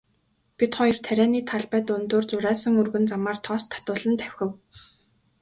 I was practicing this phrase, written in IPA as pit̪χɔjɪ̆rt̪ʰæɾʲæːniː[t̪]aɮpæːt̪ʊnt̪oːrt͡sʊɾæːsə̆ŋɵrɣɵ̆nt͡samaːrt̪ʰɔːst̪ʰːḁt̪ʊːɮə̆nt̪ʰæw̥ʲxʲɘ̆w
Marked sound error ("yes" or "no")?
yes